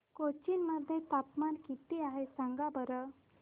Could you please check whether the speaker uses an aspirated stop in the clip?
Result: no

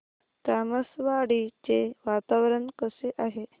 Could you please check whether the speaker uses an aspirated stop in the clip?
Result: no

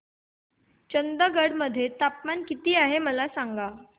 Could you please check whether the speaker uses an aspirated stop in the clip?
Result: no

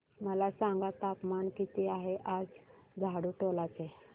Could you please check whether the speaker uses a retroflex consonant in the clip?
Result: yes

